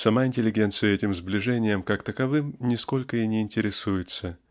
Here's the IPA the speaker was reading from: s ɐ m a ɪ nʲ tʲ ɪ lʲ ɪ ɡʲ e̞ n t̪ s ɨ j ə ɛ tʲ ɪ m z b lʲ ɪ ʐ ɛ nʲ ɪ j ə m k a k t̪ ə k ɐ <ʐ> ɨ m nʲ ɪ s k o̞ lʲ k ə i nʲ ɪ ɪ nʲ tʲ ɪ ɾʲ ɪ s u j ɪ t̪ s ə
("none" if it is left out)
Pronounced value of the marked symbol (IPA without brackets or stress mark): v